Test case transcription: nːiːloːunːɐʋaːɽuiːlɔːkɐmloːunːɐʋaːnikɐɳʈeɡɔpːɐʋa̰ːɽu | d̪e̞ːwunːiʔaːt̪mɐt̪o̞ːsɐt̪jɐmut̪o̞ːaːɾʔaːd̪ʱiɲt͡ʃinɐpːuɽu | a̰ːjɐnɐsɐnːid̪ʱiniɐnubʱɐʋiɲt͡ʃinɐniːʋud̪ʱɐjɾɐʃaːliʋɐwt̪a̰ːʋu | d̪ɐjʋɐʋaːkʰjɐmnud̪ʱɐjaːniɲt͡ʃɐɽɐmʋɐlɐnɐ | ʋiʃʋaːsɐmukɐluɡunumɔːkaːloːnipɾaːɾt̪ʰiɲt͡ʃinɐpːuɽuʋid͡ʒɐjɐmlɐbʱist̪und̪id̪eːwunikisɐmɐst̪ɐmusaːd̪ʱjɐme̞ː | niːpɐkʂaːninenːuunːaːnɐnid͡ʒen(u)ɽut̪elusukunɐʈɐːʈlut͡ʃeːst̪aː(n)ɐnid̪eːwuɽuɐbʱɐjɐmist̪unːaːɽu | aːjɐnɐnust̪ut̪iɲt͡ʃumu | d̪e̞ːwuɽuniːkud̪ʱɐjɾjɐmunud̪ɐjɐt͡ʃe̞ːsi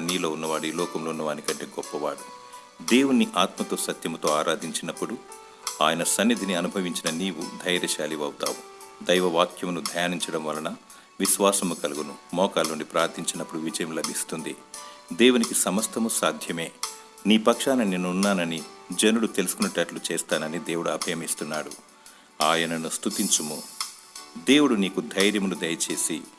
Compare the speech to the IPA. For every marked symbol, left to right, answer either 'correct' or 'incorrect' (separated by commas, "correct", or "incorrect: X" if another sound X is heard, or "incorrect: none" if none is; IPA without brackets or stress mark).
correct, correct